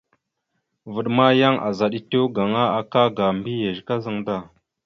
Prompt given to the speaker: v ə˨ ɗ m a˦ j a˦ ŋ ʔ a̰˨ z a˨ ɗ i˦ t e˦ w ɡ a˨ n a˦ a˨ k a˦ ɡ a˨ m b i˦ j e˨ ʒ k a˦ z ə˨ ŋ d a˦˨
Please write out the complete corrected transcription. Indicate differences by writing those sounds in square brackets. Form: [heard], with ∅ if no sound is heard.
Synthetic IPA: v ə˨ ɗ m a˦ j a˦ ŋ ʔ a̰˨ z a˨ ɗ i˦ t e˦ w ɡ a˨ [ŋ] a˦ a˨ k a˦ ɡ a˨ m b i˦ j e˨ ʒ k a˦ z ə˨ ŋ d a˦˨